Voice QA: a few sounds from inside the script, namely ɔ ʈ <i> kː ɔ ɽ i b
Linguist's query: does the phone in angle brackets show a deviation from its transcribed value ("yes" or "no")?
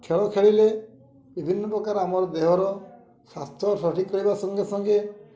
no